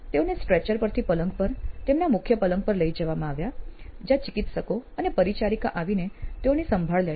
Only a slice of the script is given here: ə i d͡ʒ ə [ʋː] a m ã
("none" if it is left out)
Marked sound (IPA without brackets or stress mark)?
ʋ